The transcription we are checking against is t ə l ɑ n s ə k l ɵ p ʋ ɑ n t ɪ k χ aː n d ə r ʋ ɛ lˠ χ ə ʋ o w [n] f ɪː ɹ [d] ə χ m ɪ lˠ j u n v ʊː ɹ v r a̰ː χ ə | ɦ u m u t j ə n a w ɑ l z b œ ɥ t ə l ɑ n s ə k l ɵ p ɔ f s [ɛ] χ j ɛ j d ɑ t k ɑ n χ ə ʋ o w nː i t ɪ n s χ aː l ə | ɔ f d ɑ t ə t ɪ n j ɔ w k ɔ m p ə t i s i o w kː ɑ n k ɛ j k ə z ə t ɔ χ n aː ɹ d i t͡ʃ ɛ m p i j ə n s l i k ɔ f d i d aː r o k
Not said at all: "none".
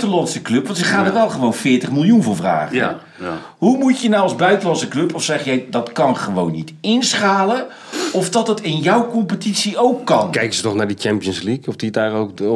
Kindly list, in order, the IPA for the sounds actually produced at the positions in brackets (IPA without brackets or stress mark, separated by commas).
n, t, ɛ